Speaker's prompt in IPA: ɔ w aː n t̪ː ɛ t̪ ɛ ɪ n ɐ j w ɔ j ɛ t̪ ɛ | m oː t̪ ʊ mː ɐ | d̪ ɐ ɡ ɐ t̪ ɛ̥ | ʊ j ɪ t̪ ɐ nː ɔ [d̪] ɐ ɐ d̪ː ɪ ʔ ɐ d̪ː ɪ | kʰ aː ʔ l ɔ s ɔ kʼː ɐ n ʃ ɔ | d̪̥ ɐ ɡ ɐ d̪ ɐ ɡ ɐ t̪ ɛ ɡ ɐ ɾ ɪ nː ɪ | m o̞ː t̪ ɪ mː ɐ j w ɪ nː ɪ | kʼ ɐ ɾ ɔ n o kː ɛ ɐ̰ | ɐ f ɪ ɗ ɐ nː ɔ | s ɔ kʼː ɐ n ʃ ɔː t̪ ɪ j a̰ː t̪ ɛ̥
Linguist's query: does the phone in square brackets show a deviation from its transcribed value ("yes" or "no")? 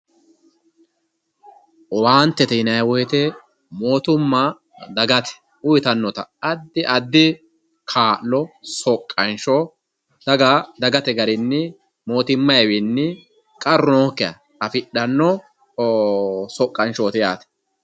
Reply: yes